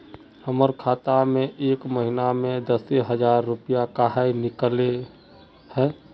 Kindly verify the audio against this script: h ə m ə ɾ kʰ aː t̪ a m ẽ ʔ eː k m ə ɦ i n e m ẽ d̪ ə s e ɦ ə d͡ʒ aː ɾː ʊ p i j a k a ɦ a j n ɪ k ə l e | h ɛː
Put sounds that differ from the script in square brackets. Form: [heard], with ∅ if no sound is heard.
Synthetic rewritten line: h ə m ə ɾ kʰ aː t̪ a m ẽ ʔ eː k m ə ɦ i n [a] m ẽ d̪ ə s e ɦ ə d͡ʒ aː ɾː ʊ p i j a k a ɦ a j n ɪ k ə l e | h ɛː